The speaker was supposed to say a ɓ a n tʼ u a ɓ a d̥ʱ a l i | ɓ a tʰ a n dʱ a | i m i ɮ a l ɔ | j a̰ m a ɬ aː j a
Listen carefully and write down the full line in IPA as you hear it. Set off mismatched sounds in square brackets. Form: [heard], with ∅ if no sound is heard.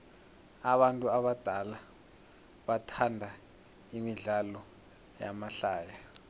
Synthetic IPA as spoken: a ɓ a n tʼ u a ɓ a d̥ʱ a l [a] | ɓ a tʰ a n dʱ a | i m i ɮ a l ɔ | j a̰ m a ɬ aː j a